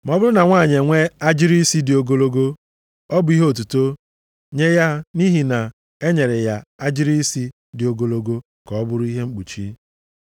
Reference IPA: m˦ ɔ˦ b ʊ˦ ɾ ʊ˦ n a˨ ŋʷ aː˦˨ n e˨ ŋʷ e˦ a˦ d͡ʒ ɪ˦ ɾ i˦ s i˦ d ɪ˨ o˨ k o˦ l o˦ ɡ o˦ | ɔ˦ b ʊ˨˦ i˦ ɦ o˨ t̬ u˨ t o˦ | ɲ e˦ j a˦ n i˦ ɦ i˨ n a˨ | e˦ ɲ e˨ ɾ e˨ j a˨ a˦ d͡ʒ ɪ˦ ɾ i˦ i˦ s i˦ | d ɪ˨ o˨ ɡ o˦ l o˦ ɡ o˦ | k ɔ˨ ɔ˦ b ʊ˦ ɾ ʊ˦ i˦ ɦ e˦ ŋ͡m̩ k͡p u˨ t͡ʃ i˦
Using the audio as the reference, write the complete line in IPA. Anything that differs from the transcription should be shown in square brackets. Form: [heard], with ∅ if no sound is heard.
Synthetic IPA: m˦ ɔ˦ b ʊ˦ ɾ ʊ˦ n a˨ ŋʷ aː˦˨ [ɲ] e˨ ŋʷ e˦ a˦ d͡ʒ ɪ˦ ɾ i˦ s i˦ d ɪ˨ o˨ [ɡ] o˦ l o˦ ɡ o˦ | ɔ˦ b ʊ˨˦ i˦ ɦ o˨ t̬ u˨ t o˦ | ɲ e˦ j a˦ n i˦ ɦ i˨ n a˨ | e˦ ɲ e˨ ɾ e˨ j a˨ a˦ d͡ʒ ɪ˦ ɾ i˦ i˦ s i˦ | d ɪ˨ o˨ ɡ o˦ l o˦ ɡ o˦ | k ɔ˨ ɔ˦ b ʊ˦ ɾ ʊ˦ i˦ ɦ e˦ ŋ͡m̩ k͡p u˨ t͡ʃ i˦